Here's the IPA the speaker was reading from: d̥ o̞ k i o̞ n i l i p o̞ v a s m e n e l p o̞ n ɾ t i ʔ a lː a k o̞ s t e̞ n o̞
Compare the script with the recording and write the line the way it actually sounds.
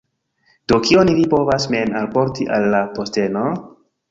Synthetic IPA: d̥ o̞ k i o̞ n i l i p o̞ v a s m e n a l p o̞ ɾ t i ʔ a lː a p o̞ s t e̞ n o̞